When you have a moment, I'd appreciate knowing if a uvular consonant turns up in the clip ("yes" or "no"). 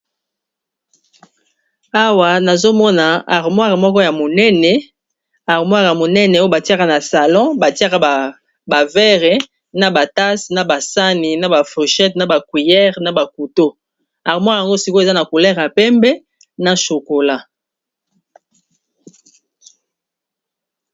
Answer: yes